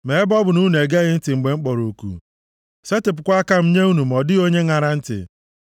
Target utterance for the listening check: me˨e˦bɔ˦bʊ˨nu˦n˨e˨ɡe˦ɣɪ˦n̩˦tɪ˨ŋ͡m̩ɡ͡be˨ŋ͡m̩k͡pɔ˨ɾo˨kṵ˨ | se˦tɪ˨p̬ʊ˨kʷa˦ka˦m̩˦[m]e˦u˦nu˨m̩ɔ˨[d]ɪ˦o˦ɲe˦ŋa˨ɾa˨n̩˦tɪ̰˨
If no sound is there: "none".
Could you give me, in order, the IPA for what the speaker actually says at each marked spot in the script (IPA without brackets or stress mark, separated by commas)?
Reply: ɲ, d